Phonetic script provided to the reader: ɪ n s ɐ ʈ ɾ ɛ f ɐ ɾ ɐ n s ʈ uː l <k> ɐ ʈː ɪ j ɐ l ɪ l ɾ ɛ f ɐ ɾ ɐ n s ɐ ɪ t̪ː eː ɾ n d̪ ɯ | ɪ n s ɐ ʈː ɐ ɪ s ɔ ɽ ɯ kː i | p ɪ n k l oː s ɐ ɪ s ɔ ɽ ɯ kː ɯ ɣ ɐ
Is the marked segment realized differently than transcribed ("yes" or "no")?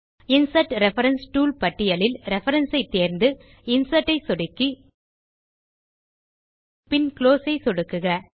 yes